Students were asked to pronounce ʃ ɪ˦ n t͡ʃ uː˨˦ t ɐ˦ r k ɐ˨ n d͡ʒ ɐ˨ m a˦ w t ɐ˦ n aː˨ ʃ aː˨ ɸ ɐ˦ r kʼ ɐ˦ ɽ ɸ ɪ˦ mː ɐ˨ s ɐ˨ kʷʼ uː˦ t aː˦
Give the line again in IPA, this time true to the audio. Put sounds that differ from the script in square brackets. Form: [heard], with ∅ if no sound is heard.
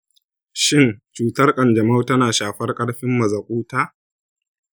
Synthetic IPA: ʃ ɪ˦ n t͡ʃ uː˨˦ t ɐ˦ r [kʼ] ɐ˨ n d͡ʒ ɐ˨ m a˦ w t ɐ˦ n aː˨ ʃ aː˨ ɸ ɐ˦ r kʼ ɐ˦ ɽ ɸ ɪ˦ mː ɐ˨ [z] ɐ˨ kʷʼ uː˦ t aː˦